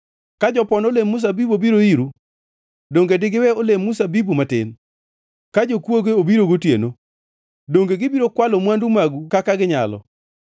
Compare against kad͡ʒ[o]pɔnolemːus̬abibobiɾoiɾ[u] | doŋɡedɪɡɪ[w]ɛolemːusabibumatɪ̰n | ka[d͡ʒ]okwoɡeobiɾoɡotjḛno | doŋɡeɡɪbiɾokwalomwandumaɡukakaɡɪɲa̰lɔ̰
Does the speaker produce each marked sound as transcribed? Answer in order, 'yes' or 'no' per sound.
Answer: no, yes, yes, yes

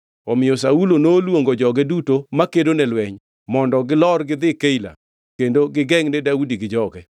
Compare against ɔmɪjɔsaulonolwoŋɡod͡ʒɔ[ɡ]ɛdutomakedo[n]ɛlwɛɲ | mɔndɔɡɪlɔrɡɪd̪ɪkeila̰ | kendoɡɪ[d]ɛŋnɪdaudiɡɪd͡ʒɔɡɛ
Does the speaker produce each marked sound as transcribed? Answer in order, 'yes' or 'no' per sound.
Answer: yes, yes, no

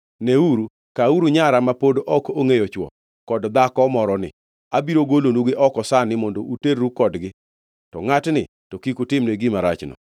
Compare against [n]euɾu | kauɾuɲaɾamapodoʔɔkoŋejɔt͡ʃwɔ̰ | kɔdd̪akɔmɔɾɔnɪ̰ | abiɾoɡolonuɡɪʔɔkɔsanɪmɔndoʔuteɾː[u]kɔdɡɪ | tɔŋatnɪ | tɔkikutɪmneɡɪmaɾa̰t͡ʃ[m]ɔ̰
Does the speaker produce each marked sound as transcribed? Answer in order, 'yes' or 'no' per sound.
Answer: yes, yes, no

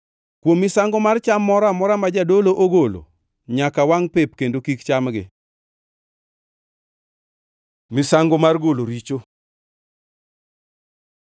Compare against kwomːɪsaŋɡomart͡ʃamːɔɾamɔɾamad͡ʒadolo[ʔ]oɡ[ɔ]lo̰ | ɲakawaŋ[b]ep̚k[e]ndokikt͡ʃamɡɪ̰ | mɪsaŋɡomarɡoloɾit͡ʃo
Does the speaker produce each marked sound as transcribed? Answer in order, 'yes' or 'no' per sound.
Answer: yes, no, no, yes

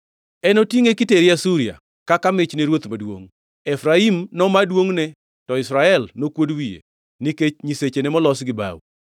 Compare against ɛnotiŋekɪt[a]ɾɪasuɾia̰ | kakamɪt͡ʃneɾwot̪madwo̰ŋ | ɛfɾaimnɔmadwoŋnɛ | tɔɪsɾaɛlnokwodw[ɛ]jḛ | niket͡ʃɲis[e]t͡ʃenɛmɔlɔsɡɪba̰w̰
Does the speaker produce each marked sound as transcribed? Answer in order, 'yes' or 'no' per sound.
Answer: no, no, yes

